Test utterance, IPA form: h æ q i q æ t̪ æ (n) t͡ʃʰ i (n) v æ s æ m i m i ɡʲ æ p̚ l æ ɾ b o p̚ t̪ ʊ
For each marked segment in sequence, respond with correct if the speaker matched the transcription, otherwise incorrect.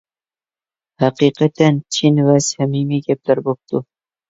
correct, correct

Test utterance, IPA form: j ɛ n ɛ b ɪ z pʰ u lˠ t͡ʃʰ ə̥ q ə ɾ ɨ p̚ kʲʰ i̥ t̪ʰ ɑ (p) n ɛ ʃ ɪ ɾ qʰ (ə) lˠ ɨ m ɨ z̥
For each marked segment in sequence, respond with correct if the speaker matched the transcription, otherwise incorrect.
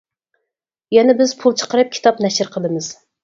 correct, correct

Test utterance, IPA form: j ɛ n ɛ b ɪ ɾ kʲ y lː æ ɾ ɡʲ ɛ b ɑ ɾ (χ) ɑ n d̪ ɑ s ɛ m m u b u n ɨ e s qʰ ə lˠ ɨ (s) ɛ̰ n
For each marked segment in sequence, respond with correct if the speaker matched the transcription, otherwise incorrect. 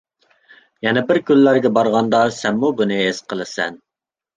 incorrect, correct

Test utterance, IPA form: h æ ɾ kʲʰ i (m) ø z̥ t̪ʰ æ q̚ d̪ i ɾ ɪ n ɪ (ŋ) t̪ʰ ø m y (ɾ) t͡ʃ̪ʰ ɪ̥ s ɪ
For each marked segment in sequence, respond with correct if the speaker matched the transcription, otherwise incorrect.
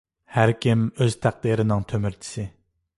correct, correct, correct

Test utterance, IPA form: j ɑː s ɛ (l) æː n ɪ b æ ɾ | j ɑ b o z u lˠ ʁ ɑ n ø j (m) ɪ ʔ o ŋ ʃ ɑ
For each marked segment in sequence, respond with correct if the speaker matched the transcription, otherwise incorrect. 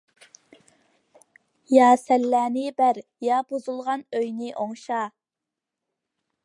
incorrect, incorrect

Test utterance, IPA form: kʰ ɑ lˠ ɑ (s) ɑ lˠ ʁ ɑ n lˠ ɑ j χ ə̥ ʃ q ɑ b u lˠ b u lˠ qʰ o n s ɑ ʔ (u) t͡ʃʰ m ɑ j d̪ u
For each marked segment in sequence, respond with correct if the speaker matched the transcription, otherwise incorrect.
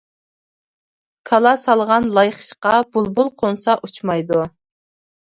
correct, correct

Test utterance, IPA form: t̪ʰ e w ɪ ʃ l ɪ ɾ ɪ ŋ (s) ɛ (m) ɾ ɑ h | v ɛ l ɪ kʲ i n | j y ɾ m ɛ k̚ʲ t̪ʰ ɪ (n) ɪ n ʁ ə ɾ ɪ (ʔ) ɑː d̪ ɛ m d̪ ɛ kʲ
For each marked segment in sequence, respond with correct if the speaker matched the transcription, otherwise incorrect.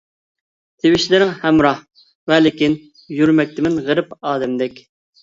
incorrect, correct, incorrect, incorrect

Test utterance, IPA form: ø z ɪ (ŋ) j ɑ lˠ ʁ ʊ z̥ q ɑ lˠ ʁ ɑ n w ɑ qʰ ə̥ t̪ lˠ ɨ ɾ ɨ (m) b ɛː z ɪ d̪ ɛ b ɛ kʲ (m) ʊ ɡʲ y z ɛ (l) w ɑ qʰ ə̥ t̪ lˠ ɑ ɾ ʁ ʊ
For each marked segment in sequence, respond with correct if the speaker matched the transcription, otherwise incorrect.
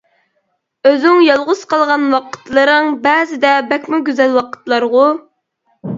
correct, incorrect, correct, correct

